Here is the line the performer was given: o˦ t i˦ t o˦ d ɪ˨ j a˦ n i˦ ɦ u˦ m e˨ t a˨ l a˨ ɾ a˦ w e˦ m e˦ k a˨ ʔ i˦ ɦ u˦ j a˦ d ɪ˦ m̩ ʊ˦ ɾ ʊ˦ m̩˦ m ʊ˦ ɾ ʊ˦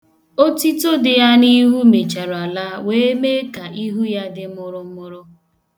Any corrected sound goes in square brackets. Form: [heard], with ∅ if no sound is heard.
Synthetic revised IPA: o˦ t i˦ t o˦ d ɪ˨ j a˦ n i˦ ɦ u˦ m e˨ [t͡ʃ] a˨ [ɾ] a˨ [l] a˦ w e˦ m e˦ k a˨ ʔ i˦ ɦ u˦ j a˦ d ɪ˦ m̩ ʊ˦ ɾ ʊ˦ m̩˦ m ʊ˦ ɾ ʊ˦